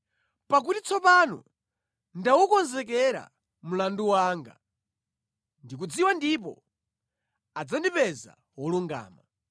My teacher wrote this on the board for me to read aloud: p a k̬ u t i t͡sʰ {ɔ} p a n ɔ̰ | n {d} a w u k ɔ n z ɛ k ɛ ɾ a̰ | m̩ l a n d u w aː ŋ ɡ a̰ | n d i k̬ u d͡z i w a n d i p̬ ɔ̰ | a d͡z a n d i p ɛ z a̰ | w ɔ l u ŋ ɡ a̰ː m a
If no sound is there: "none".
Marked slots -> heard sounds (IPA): ɔ, d

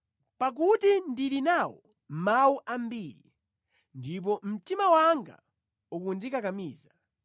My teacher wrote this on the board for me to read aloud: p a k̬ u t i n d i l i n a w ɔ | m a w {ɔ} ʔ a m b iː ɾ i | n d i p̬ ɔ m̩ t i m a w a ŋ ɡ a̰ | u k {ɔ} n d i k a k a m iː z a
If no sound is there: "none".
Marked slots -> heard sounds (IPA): u, u

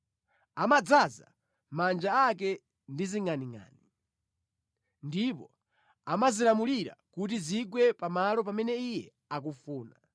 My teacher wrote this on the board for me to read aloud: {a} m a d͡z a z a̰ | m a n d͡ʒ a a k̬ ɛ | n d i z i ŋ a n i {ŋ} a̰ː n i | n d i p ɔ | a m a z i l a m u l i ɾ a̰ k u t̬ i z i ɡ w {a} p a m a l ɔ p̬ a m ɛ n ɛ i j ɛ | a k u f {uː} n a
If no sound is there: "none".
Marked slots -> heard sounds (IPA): a, ŋ, ɛ, uː

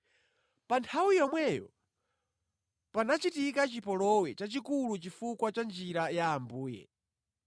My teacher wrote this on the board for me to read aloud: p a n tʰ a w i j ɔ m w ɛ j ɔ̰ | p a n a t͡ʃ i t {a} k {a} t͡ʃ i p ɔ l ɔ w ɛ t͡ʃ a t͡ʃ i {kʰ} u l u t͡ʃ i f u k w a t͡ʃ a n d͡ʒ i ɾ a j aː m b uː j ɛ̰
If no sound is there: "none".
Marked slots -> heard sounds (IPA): i, a, k

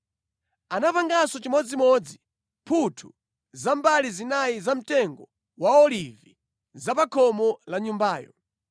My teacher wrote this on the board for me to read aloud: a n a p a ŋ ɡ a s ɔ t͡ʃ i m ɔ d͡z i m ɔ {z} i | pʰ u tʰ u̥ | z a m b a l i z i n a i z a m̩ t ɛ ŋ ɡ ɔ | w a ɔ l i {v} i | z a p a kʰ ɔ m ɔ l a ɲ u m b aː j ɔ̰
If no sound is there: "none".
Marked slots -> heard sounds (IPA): d͡z, v

